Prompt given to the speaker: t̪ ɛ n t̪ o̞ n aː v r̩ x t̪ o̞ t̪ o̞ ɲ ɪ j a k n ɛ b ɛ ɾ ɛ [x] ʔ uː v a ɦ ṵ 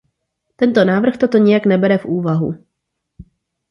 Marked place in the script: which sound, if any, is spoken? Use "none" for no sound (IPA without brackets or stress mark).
f